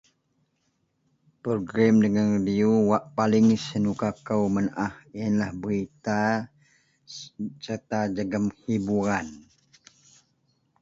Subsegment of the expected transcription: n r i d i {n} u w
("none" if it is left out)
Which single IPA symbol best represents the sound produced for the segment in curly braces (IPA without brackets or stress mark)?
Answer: none